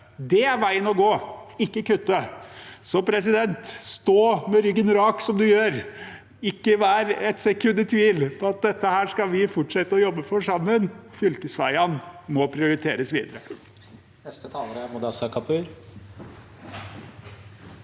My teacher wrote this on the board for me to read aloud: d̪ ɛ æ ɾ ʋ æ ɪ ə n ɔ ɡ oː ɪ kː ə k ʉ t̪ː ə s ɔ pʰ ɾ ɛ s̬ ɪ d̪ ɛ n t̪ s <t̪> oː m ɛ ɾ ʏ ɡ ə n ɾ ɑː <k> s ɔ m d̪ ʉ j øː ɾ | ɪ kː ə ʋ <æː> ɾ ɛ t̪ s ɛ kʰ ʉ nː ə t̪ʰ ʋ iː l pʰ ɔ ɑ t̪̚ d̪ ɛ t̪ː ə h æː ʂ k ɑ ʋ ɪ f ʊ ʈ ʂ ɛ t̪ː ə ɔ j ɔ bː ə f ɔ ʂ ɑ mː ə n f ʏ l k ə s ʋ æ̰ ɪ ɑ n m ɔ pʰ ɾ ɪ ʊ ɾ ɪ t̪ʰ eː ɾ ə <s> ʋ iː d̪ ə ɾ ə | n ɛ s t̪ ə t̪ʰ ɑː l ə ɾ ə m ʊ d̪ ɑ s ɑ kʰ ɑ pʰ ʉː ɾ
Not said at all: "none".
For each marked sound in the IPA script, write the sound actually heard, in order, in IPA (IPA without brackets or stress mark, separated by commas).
t̪, k, æː, s